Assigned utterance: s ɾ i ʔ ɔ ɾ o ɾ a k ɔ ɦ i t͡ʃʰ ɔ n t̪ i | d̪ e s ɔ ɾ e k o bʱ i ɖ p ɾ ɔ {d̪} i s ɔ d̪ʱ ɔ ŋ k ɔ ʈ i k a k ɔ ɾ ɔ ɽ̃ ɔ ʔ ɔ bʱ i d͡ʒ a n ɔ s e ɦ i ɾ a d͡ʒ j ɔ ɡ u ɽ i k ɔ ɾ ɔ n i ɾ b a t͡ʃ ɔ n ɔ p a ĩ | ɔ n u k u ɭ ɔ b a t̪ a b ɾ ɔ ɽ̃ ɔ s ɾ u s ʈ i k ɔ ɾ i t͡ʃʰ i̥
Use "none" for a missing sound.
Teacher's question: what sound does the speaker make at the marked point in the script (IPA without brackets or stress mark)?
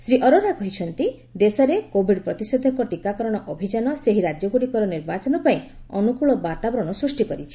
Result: t̪